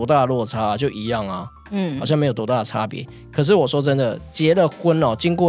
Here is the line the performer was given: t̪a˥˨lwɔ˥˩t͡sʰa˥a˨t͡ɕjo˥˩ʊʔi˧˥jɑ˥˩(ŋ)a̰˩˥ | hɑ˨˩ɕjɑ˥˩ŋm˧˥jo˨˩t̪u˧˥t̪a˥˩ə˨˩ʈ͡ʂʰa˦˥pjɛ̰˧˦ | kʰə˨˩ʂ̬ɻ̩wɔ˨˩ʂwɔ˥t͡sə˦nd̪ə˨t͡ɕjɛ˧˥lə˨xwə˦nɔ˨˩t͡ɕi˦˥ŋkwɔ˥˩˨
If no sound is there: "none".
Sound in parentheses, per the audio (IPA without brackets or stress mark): ŋ